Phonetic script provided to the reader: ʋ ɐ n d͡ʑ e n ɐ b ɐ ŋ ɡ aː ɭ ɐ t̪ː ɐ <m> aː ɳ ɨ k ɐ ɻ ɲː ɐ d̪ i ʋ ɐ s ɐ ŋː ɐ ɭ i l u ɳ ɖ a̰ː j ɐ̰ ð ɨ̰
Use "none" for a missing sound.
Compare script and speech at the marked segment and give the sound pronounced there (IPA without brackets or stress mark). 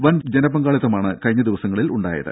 m